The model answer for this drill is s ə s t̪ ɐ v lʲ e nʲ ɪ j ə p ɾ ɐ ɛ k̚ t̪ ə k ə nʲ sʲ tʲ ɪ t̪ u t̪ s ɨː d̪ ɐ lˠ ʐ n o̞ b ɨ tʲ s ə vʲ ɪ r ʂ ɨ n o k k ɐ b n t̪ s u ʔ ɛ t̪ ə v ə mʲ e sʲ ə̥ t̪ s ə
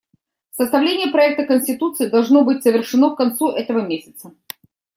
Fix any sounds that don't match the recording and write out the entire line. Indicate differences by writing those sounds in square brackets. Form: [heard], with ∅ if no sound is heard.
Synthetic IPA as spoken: s ə s t̪ ɐ v lʲ e nʲ ɪ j ə p ɾ ɐ ɛ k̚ t̪ ə k ə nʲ sʲ tʲ ɪ t̪ u t̪ s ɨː d̪ ɐ lˠ ʐ n o̞ b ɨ tʲ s ə vʲ ɪ r ʂ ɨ n o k k ɐ [∅] n t̪ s u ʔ ɛ t̪ ə v ə mʲ e sʲ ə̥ t̪ s ə